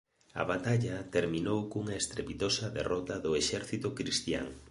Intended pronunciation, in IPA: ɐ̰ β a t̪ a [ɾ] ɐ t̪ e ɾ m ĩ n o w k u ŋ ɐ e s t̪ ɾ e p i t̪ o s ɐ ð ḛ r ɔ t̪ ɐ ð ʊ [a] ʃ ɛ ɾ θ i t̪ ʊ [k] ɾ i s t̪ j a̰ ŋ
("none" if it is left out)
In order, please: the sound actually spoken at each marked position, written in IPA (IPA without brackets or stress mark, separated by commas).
ʎ, e, k